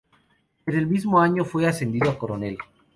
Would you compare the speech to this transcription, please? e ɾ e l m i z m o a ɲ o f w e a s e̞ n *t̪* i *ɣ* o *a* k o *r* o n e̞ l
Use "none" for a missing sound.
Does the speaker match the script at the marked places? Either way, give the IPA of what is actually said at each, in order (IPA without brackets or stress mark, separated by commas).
d̪, ð, a, ɾ